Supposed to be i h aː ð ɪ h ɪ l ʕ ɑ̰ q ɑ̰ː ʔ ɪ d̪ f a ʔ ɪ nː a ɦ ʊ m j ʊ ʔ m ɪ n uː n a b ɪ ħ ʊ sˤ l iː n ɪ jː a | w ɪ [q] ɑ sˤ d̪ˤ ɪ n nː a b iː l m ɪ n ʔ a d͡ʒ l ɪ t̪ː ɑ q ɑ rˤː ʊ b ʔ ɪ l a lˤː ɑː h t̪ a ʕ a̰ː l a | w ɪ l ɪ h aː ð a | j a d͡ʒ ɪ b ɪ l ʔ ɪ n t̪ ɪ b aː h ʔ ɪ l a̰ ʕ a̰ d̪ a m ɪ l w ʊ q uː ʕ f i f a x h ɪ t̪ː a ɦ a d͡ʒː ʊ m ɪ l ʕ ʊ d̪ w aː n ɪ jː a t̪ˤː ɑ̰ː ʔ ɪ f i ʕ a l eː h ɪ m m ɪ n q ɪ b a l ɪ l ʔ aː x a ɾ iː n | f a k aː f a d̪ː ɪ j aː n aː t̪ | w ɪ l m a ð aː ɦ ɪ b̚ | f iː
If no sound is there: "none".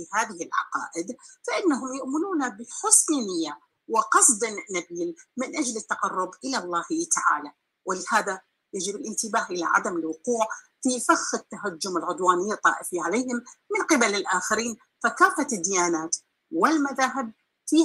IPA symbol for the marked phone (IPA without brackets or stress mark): q